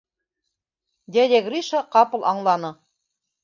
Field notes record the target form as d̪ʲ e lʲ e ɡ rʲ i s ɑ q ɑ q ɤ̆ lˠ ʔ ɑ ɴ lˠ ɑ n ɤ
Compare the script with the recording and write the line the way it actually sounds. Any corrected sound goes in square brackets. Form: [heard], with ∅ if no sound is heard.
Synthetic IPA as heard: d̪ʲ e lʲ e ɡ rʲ i [ʃ] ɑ q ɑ [p] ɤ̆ lˠ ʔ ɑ ɴ lˠ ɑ n ɤ